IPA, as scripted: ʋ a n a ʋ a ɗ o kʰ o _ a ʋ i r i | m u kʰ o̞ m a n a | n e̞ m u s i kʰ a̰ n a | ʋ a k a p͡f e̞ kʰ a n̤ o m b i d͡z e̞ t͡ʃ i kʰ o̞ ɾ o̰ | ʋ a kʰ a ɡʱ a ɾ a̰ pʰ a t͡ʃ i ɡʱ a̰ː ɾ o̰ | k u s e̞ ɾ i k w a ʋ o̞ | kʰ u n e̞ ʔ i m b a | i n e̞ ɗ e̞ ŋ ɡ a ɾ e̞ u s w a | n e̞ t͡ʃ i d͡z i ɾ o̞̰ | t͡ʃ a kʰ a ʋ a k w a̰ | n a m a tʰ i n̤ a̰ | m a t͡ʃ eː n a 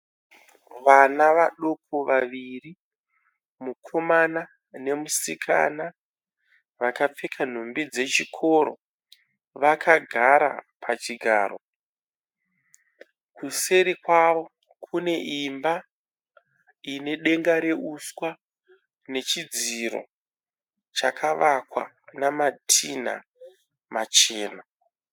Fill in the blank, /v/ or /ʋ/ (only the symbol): ʋ